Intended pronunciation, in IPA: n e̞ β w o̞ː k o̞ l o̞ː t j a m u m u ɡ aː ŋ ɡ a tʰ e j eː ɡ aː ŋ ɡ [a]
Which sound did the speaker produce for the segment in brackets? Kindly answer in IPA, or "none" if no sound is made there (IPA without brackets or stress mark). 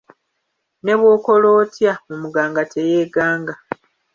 a